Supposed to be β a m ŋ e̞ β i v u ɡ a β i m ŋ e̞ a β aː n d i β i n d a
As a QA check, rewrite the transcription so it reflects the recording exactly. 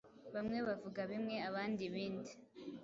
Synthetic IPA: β a m ŋ e̞ β a v u ɡ a β i m ŋ e̞ a β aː n d i β iː n d i